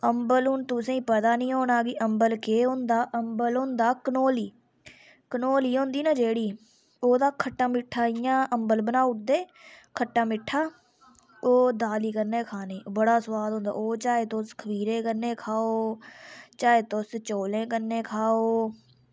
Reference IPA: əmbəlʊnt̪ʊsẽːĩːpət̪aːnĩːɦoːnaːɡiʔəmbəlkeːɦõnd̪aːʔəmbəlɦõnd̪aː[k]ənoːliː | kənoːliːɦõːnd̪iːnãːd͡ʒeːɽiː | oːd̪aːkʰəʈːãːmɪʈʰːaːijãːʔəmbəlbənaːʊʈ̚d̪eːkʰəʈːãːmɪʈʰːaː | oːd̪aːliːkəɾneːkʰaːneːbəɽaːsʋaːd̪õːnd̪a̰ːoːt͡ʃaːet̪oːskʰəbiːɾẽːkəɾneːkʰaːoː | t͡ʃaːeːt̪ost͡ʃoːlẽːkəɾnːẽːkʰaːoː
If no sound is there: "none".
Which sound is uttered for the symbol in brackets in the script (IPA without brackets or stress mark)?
k